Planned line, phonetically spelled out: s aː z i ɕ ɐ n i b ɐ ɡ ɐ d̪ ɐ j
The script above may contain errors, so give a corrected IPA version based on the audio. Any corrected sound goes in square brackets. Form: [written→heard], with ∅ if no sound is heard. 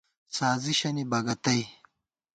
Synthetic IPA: s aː z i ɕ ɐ n i b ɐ ɡ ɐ [d̪→t̪] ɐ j